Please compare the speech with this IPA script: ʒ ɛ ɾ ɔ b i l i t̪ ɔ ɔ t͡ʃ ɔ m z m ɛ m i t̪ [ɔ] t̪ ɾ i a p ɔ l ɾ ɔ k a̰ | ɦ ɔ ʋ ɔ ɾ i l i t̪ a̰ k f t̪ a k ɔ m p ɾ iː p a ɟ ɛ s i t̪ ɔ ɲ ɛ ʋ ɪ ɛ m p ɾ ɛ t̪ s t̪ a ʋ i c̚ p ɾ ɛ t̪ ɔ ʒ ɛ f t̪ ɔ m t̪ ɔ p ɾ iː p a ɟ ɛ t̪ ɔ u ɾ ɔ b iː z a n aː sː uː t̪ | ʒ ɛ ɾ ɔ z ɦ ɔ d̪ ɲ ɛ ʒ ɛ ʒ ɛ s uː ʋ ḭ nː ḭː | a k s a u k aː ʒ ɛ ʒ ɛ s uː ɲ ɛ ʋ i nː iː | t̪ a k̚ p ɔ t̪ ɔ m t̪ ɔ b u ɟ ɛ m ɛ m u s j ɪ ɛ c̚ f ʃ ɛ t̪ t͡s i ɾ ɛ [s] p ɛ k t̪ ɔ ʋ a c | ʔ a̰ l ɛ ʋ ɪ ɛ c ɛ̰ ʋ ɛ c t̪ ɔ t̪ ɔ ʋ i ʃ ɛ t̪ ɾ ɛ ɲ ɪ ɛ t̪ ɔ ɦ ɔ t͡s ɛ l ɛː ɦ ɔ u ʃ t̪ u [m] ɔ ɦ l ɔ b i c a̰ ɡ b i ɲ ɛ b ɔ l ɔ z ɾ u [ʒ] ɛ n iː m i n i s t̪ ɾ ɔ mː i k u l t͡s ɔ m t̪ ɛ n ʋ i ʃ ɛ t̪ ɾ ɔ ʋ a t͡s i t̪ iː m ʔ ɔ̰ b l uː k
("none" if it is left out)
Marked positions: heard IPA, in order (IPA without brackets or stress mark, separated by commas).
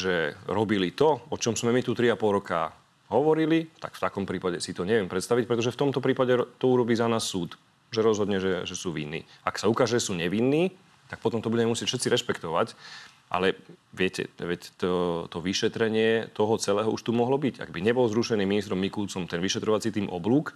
u, ʃ, m, ʃ